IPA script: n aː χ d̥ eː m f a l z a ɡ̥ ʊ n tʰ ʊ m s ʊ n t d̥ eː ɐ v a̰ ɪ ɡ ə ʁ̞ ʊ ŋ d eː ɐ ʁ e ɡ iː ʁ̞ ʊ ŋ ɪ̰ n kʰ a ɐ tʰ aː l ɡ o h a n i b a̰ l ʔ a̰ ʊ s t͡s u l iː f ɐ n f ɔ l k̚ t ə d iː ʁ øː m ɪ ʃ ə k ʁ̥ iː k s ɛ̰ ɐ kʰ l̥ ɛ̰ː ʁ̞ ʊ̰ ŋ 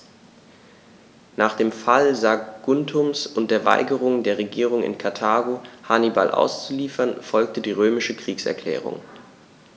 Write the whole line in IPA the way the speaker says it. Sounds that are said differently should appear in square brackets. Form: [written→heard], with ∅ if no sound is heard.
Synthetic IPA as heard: n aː χ d̥ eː m f a l z a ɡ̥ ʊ n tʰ ʊ m s ʊ n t d̥ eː ɐ v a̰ ɪ ɡ ə ʁ̞ ʊ ŋ d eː ɐ ʁ e ɡ iː ʁ̞ ʊ ŋ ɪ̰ n kʰ a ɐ tʰ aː [l→∅] ɡ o h a n i b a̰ l ʔ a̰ ʊ s t͡s u l iː f ɐ n f ɔ l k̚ t ə d iː ʁ øː m ɪ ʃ ə k ʁ̥ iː k s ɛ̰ ɐ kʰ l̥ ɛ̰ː ʁ̞ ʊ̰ ŋ